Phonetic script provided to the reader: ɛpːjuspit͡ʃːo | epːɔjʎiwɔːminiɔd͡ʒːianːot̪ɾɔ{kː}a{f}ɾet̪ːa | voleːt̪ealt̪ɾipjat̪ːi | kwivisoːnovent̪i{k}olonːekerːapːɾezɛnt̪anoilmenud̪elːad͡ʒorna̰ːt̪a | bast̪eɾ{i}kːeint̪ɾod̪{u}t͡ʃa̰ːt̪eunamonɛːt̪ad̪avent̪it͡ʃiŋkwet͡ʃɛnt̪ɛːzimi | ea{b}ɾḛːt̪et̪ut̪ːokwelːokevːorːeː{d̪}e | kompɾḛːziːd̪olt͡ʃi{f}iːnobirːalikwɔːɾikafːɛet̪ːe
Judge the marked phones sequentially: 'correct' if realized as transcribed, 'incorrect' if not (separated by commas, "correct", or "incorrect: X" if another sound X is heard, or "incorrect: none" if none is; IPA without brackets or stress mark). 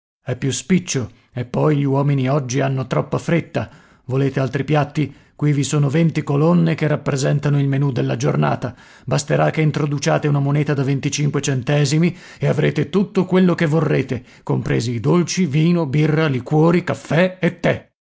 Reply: incorrect: pː, correct, correct, incorrect: a, correct, incorrect: v, incorrect: t̪, incorrect: v